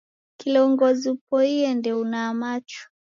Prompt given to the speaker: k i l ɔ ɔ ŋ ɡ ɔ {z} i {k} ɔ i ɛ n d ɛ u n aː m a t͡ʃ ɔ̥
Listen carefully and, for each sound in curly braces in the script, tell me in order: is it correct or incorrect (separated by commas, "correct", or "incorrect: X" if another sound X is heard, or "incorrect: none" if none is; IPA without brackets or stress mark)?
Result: correct, incorrect: p